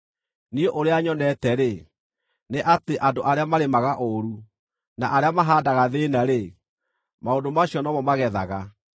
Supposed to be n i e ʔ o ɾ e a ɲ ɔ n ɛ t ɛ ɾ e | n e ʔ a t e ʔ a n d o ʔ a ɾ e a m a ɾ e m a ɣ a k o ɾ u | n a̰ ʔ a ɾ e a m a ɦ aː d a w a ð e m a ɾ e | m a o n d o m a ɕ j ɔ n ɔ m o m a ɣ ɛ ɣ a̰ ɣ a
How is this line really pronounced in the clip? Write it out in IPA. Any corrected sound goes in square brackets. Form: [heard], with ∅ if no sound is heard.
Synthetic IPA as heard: n i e ʔ o ɾ e a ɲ ɔ n ɛ t ɛ ɾ e | n e ʔ a t e ʔ a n d o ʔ a ɾ e a m a ɾ e m a ɣ a [ʔ] o ɾ u | n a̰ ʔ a ɾ e a m a ɦ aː d a [ɣ] a ð e [n] a ɾ e | m a o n d o m a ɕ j ɔ n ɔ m [ɔ] m a ɣ ɛ [ð] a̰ ɣ a

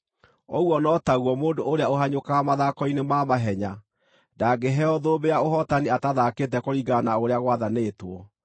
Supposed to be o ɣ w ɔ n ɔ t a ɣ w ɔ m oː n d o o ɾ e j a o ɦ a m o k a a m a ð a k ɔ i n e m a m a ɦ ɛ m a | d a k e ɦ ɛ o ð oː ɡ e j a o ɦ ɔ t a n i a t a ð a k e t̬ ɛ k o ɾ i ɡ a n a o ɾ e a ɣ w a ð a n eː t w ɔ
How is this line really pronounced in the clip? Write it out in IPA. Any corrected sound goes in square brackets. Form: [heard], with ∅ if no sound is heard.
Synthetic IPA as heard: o ɣ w ɔ n ɔ t a ɣ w ɔ m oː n d o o ɾ e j a o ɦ a [ɲ] o k a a m a ð a k ɔ i n e m a m a ɦ ɛ [ɲ] a | d a [ɡ] e ɦ ɛ [ɔ] ð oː [b] e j a o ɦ ɔ t a n i a t a ð a k e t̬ ɛ k o ɾ i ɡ a n a o ɾ e a ɣ w a ð a n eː t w ɔ

